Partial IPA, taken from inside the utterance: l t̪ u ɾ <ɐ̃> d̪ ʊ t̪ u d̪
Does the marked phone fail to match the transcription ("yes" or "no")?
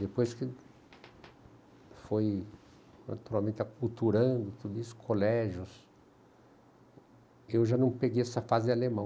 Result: no